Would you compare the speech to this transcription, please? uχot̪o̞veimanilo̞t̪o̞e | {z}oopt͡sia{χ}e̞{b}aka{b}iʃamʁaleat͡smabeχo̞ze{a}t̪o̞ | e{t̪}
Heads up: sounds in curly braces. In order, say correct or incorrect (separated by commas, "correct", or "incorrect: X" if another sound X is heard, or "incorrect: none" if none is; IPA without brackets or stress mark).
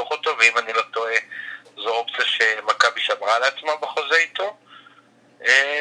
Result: correct, incorrect: ʃ, incorrect: m, correct, incorrect: i, incorrect: none